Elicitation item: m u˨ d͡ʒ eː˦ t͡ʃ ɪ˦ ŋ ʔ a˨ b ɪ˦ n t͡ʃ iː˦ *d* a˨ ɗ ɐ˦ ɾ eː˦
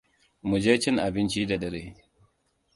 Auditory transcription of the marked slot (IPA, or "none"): d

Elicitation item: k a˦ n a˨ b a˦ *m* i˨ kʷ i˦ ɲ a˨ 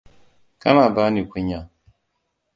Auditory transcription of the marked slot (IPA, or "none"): n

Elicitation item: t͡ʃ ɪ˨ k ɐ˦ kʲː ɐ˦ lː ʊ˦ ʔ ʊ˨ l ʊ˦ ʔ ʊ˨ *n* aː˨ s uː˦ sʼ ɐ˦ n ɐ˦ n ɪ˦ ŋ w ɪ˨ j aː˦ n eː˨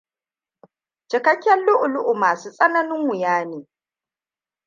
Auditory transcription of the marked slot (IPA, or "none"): m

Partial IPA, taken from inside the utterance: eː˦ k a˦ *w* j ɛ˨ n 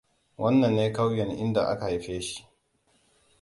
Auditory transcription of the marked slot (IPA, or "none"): w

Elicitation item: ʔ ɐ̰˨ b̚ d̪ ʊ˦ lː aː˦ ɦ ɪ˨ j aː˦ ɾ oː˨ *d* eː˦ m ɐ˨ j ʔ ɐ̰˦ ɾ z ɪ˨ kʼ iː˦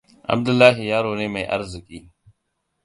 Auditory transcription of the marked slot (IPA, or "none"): n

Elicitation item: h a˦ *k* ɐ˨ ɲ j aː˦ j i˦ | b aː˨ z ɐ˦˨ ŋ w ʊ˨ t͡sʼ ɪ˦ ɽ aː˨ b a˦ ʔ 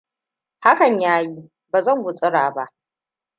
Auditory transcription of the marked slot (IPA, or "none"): k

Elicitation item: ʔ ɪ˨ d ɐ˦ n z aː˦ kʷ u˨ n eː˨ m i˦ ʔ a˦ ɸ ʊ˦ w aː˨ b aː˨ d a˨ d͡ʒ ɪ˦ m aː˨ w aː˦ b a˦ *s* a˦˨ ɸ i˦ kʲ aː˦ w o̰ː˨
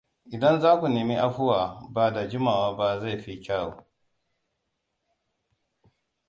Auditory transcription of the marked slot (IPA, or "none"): z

